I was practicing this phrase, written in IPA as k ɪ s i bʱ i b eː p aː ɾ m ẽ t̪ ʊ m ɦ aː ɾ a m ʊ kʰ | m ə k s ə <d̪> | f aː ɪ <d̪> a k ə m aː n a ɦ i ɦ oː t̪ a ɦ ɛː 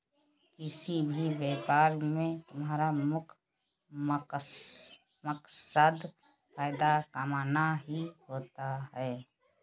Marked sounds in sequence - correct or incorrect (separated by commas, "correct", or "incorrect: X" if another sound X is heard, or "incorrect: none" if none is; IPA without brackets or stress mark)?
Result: correct, correct